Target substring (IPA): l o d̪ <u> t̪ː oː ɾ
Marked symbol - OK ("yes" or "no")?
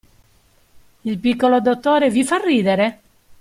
no